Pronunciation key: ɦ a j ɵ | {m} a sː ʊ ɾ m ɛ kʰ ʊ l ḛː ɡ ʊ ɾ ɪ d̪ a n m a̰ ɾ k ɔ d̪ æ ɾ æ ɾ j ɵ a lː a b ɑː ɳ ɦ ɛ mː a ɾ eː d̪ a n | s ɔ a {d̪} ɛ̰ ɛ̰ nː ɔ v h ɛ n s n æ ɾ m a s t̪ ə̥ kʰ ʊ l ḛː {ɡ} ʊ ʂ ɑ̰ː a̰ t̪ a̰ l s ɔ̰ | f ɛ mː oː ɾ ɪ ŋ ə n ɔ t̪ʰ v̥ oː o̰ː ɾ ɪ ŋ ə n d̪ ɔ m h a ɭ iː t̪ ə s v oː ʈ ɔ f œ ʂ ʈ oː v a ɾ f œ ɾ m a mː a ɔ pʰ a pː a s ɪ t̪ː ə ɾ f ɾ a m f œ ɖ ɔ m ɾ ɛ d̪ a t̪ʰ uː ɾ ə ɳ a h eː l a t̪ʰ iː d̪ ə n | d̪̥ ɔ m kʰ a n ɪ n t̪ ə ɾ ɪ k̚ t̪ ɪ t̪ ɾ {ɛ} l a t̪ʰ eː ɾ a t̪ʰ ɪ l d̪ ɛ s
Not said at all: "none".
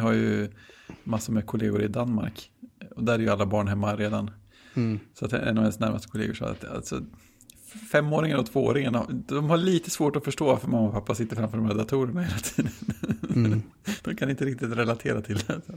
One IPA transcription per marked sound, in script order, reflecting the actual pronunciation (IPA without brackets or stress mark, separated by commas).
m, t̪, ɡ, ɛ